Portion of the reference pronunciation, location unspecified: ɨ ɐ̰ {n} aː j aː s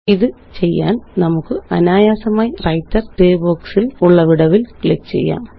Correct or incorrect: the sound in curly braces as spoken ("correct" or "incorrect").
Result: correct